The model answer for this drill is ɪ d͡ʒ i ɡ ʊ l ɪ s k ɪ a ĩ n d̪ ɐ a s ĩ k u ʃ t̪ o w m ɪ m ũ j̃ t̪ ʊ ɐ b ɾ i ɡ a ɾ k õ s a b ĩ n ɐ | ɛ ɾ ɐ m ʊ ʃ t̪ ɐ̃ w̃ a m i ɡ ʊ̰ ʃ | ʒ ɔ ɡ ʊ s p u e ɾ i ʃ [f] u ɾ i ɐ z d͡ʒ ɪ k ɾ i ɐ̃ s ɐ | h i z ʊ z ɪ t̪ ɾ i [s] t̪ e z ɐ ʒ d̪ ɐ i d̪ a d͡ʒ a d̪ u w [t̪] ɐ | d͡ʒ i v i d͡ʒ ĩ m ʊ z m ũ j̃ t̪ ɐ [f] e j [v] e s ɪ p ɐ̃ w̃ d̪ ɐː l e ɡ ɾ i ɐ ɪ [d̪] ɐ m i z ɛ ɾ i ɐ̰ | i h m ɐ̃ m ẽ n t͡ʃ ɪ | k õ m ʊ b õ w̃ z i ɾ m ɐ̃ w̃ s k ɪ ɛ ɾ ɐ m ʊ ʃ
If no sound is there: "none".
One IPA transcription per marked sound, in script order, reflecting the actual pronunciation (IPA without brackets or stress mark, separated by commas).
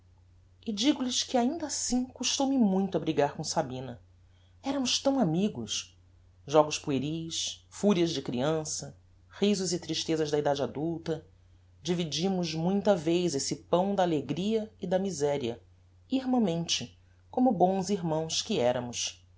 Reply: f, ʃ, t̪, v, z, d̪